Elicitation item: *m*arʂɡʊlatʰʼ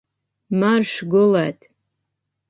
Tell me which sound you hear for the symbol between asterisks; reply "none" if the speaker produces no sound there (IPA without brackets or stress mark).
m